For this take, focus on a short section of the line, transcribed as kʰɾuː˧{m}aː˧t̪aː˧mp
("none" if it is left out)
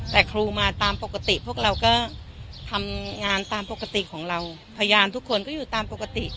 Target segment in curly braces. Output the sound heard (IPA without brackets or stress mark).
m